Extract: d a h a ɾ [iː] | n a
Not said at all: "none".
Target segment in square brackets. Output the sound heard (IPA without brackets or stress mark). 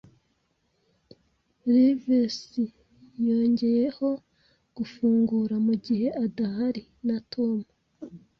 i